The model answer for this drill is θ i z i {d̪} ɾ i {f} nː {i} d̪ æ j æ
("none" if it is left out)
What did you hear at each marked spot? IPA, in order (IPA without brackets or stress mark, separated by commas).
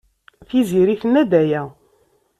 none, θ, æ